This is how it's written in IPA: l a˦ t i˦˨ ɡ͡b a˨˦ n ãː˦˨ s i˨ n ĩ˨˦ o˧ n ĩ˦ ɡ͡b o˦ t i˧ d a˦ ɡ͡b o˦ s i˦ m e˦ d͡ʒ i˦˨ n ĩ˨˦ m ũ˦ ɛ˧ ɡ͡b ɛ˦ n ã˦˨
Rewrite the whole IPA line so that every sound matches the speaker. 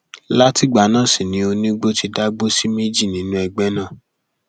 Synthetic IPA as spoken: l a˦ t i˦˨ ɡ͡b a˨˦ n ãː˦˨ s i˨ n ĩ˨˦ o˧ n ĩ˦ ɡ͡b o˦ t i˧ d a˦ ɡ͡b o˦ s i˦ m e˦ d͡ʒ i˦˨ n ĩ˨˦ n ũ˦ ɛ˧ ɡ͡b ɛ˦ n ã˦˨